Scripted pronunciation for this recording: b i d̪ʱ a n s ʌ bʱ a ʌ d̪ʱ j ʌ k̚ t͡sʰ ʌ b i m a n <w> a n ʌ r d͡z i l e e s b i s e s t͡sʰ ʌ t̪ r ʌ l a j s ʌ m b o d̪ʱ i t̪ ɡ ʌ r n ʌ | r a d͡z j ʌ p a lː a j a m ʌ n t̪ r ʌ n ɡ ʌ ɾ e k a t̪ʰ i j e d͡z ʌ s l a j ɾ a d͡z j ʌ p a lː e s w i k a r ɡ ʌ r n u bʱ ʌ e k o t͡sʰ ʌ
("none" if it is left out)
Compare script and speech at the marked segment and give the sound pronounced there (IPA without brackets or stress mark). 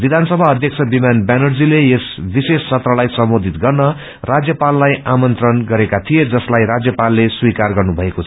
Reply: b